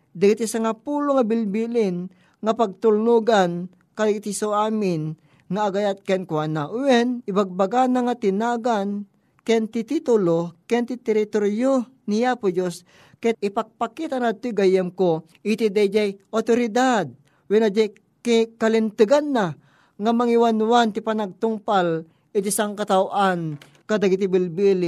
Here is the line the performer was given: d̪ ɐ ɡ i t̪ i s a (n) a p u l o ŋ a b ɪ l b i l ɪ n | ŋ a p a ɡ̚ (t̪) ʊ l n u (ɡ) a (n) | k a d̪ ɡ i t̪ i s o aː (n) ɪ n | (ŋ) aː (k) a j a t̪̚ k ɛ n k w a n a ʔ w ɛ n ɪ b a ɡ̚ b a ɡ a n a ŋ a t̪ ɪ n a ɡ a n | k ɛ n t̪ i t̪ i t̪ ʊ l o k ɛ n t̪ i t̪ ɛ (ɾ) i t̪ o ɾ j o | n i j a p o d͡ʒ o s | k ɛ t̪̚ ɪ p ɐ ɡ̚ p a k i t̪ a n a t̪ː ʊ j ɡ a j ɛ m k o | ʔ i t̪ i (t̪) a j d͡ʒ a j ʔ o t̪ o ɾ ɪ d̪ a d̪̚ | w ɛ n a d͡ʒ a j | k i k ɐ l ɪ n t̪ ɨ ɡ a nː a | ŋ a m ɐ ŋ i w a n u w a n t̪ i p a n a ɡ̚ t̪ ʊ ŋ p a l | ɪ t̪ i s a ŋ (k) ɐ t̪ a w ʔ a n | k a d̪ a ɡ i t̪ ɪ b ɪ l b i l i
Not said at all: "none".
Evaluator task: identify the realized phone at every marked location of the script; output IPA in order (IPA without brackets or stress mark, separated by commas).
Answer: ŋ, t̪, ɡ, n, m, ŋ, ɡ, ɾ, d̪, k